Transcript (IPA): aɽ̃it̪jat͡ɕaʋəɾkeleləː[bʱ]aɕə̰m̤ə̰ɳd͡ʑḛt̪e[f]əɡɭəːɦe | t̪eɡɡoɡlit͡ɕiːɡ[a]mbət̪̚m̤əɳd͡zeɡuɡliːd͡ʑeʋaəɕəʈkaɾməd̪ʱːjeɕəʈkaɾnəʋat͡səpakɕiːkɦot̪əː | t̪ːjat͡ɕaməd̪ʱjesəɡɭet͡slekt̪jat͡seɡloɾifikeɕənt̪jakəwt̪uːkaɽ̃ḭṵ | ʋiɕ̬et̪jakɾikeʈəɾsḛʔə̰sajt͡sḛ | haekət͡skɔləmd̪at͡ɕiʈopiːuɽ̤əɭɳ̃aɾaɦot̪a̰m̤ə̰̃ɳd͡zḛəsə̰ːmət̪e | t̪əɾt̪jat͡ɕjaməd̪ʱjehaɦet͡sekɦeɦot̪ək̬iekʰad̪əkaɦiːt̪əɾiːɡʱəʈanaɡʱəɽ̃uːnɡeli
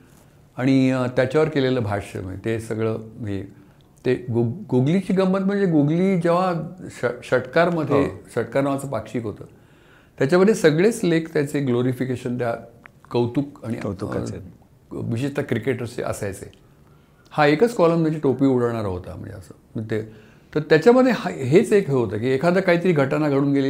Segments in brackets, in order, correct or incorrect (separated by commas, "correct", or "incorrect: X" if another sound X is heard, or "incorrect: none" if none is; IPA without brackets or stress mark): correct, incorrect: s, incorrect: ə